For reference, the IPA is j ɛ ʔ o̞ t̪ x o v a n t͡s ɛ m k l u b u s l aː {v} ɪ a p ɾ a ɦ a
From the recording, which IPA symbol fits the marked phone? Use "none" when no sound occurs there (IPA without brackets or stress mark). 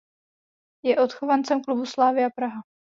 v